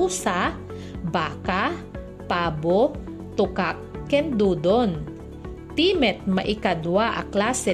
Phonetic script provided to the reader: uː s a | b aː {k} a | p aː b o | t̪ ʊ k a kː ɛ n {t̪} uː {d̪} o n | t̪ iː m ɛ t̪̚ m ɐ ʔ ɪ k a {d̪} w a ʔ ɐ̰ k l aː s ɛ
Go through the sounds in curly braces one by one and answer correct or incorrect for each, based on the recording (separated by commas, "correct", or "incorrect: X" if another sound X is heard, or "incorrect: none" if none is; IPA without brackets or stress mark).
correct, incorrect: d̪, correct, correct